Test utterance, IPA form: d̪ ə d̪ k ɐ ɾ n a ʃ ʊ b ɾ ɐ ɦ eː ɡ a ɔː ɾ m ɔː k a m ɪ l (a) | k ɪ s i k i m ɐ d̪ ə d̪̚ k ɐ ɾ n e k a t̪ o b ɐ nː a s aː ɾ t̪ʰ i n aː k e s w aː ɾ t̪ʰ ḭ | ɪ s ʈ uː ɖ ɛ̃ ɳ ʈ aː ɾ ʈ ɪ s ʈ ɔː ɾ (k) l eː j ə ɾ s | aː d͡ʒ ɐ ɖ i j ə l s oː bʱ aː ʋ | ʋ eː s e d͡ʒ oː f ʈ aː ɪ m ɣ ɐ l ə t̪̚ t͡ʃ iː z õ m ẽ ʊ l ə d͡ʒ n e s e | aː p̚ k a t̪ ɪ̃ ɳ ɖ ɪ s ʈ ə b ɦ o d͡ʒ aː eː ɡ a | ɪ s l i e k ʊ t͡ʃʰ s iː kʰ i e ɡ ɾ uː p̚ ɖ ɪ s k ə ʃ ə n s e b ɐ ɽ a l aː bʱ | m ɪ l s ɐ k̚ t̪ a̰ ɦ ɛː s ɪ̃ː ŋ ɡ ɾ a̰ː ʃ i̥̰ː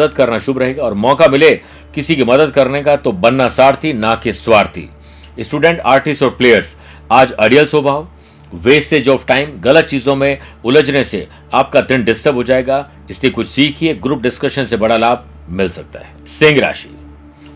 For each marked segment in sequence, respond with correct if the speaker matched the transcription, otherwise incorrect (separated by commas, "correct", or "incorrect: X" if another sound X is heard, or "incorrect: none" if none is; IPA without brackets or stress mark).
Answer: incorrect: e, incorrect: p